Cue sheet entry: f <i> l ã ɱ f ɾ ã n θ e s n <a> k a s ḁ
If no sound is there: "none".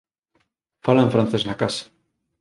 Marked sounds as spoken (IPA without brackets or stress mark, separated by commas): a, a